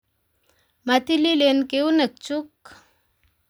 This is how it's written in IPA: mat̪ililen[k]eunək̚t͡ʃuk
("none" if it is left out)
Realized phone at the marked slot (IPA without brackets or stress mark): k